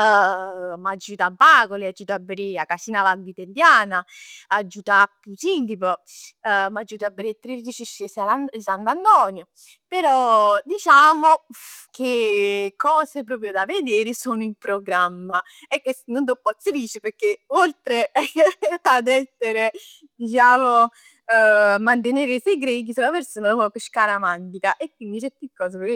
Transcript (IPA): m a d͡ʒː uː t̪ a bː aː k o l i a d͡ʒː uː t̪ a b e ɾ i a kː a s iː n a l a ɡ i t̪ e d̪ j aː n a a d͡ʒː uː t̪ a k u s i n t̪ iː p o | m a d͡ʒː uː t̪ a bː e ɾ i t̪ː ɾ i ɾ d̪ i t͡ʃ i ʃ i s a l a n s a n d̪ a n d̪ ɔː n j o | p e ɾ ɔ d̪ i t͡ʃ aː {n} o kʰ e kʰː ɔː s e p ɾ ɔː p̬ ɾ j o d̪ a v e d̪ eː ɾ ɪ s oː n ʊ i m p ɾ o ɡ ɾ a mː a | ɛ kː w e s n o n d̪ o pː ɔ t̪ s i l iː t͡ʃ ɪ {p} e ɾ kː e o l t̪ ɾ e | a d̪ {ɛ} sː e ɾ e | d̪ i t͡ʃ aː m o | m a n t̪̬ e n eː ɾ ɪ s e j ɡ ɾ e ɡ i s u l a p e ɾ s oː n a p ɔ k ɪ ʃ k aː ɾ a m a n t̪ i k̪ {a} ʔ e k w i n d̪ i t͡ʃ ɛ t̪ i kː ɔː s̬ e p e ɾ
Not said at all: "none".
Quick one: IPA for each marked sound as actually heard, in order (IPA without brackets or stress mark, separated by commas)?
m, p, ɛ, a